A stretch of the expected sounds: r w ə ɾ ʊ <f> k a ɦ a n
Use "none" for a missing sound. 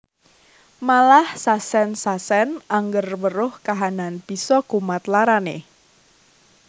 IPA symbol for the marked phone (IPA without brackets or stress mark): h